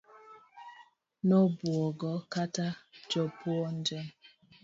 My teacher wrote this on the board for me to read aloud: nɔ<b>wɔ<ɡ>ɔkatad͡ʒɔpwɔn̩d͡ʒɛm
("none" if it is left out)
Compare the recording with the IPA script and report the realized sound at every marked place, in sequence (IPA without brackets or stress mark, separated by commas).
b, ɡ